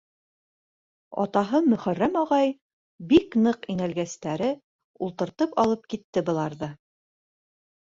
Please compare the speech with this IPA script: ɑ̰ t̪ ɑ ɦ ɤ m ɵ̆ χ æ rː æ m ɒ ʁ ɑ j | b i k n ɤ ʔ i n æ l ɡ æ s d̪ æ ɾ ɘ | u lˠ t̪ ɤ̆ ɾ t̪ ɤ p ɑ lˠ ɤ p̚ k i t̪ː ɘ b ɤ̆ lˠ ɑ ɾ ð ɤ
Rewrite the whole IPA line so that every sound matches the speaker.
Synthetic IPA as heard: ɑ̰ t̪ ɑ ɦ ɤ m ɵ̆ χ æ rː æ m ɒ ʁ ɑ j | b i k n ɤ q i n æ l ɡ æ s t̪ æ ɾ ɘ | u lˠ t̪ ɤ̆ ɾ t̪ ɤ p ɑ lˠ ɤ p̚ k i t̪ː ɘ b ɤ̆ lˠ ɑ ɾ ð ɤ